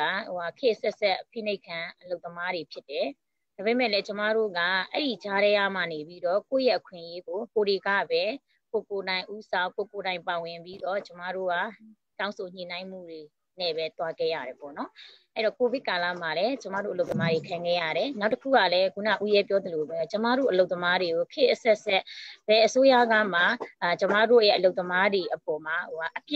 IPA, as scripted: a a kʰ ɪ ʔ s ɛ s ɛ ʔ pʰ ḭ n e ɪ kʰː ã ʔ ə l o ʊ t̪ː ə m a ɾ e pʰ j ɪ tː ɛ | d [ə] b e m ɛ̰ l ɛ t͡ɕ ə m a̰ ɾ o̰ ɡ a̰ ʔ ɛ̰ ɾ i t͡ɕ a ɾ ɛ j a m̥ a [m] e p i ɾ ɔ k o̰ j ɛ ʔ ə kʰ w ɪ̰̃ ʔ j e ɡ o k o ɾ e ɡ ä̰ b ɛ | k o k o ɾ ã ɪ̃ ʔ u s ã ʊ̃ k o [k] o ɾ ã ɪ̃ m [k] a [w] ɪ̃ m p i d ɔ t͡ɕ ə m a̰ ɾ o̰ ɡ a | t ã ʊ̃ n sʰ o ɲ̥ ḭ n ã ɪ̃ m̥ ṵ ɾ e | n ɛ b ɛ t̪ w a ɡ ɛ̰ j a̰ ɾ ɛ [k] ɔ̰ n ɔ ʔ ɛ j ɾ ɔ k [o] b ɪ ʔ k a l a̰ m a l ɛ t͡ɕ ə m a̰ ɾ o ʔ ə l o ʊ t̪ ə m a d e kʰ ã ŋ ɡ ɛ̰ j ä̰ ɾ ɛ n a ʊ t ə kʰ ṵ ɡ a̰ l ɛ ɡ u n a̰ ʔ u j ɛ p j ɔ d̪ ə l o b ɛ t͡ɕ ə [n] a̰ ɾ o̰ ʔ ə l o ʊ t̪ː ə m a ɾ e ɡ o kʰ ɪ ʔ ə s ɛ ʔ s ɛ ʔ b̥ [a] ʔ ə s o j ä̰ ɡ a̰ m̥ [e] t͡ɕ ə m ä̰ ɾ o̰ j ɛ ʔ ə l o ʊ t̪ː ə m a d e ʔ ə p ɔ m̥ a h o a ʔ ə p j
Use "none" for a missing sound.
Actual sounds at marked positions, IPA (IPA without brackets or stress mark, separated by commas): a, n, k, p, w, p, o, m, ɛ, a